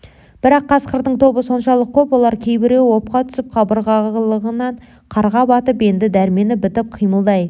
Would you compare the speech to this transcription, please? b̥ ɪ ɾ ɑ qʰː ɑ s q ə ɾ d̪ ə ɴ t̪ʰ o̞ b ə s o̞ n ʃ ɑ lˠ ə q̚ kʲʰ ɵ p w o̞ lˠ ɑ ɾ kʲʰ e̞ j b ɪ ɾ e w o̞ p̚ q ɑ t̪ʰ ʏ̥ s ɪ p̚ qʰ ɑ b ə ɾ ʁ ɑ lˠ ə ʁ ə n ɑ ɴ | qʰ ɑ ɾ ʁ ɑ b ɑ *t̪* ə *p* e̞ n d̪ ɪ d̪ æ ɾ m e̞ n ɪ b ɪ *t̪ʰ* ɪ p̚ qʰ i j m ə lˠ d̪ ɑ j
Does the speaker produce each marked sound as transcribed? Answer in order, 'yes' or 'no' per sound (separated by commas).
yes, yes, no